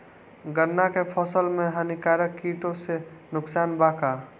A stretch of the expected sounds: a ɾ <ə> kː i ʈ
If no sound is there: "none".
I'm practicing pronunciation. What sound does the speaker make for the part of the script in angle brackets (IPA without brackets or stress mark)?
ə